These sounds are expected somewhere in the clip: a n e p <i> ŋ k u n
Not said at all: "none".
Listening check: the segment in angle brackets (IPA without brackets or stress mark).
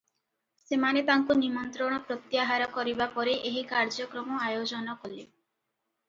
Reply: a